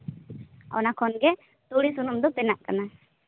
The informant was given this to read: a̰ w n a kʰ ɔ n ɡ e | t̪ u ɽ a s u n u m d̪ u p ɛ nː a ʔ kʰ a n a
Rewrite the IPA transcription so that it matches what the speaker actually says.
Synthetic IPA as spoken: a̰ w n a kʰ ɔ n ɡ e | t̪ u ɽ i s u n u m d̪ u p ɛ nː a ʔ k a n a